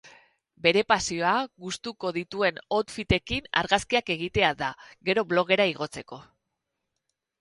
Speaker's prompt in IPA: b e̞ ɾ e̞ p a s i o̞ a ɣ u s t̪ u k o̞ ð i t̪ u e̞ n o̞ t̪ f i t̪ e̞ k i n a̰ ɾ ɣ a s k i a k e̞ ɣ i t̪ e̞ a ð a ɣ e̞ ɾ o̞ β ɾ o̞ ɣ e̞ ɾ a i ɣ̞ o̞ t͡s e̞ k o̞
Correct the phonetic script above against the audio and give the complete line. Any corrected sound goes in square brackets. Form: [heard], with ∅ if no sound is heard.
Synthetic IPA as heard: b e̞ ɾ e̞ p a s i o̞ a ɣ u s t̪ u k o̞ ð i t̪ u e̞ n o̞ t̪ f i t̪ e̞ k i n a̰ ɾ ɣ a s k i a k e̞ ɣ i t̪ e̞ a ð a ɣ e̞ ɾ o̞ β [l] o̞ ɣ e̞ ɾ a i ɣ̞ o̞ t͡s e̞ k o̞